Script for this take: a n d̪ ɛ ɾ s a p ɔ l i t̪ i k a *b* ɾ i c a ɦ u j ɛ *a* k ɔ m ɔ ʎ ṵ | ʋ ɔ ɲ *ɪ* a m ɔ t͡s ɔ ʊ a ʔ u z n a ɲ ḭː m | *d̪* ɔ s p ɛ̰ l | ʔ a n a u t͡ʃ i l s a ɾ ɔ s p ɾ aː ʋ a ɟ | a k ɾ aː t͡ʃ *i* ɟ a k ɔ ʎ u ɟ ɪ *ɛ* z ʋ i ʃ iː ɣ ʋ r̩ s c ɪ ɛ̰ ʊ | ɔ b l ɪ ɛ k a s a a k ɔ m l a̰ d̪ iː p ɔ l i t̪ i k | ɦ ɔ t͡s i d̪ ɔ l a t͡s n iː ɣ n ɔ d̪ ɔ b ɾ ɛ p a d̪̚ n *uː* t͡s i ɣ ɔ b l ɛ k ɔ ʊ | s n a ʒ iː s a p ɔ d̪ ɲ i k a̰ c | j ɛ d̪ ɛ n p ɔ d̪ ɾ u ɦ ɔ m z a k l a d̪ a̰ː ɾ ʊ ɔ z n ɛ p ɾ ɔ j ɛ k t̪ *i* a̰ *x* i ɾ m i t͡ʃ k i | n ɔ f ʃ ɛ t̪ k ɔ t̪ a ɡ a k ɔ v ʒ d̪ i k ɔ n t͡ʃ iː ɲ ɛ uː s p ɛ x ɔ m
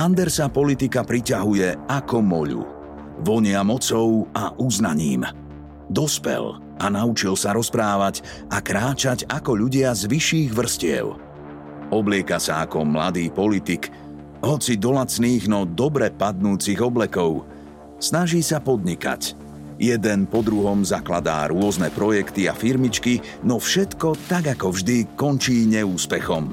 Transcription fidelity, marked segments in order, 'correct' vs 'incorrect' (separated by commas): incorrect, correct, correct, correct, incorrect, incorrect, correct, correct, incorrect